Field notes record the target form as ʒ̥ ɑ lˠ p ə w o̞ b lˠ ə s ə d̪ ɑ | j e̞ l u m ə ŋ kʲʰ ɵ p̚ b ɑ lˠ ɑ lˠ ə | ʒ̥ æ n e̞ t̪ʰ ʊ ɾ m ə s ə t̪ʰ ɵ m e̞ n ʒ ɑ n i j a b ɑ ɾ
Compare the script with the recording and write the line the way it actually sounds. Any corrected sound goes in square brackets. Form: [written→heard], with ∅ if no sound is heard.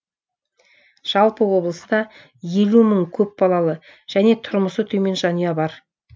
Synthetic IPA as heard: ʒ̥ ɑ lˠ p ə w o̞ b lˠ ə s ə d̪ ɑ | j e̞ l u m ə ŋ kʲʰ ɵ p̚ b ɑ lˠ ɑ lˠ ə | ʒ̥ æ n e̞ t̪ʰ ʊ ɾ m ə s ə t̪ʰ ɵ m e̞ n ʒ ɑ n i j [a→ɑ] b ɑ ɾ